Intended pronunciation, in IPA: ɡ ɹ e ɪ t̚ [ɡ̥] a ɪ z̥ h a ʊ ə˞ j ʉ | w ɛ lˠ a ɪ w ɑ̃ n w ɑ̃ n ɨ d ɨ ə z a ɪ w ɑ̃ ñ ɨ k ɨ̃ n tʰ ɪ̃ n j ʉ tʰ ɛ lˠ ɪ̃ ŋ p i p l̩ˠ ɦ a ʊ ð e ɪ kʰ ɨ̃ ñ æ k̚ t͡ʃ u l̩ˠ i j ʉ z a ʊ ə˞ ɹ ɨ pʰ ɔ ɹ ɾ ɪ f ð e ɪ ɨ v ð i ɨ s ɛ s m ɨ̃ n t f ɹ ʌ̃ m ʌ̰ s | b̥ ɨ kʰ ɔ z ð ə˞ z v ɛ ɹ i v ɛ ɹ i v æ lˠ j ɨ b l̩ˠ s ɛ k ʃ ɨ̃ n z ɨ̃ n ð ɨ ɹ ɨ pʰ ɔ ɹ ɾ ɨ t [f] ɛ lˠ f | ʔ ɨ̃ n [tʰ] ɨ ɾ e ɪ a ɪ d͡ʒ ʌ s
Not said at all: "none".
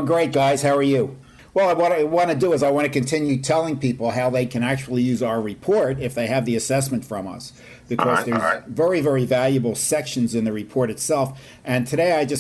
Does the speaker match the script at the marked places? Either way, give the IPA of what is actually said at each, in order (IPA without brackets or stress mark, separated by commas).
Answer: ɡ̥, s, tʰ